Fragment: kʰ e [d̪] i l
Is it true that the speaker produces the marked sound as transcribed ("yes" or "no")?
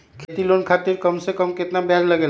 no